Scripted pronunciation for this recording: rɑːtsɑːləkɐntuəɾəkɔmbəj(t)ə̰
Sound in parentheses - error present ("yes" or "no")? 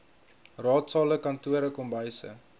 yes